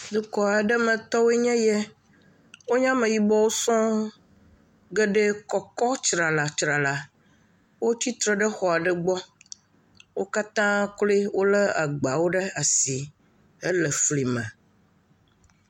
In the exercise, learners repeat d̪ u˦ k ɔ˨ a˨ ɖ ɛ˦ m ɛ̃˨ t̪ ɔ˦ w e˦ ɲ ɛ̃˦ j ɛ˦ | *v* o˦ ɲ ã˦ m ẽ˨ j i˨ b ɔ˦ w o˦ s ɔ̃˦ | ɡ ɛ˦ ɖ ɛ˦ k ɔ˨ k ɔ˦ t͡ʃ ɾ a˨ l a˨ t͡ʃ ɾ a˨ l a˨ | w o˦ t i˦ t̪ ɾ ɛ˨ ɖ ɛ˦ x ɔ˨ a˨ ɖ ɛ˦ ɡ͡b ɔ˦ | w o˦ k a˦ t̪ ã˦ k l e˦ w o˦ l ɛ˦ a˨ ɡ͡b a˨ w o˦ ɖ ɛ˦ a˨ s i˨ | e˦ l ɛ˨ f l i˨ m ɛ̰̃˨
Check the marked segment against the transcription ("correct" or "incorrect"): incorrect